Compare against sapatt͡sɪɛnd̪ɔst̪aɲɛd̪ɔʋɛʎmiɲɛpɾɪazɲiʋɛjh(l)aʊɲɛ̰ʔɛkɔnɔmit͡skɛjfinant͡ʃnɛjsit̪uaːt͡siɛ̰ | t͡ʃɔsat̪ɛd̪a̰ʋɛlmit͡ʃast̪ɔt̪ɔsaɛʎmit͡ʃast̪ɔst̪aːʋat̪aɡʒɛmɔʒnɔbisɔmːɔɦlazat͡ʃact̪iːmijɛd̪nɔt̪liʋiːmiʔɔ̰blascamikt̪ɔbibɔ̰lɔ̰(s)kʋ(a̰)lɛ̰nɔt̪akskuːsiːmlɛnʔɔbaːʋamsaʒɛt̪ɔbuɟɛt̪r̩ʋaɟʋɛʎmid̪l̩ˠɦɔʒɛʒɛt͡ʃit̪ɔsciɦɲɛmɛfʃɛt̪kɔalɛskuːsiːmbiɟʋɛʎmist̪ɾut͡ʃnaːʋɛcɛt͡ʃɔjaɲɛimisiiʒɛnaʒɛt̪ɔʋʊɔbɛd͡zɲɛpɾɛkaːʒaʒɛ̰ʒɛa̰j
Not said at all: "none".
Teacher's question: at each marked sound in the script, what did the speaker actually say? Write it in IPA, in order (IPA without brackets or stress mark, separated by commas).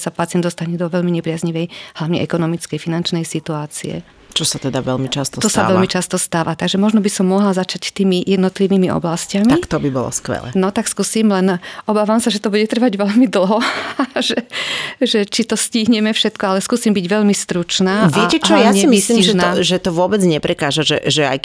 l, s, ɛ̰